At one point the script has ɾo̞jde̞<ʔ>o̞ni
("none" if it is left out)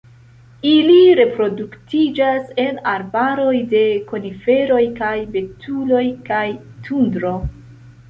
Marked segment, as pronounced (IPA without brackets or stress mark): k